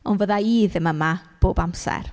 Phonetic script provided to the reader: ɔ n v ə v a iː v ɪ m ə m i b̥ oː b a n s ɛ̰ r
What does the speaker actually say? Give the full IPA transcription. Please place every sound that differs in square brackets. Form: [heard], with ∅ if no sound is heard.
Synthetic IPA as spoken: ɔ n v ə [ð] a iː [ð] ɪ m ə m [a] b̥ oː b a [m] s ɛ̰ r